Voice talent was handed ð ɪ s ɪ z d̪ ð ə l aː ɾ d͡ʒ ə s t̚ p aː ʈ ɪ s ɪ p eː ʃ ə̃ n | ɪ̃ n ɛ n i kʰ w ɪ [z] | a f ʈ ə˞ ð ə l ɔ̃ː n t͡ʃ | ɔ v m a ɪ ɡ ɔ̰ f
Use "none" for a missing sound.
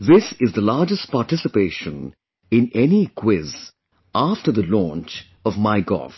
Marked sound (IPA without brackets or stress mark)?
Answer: z